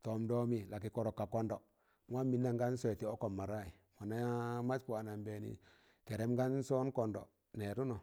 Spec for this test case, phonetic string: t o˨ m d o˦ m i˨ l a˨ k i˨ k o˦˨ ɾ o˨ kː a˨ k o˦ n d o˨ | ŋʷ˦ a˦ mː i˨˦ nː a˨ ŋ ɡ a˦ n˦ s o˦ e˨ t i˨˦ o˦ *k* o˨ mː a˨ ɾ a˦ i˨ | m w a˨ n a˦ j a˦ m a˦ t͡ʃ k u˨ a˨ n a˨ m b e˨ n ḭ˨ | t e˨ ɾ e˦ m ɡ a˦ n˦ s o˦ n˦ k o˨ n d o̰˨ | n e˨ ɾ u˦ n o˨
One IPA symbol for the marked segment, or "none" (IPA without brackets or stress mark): k